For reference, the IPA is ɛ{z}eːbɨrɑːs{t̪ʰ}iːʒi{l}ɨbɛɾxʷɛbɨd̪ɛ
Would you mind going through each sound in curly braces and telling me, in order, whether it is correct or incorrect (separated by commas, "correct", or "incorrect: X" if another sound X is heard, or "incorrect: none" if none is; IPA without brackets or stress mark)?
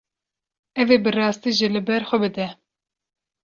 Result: incorrect: v, incorrect: t̪, correct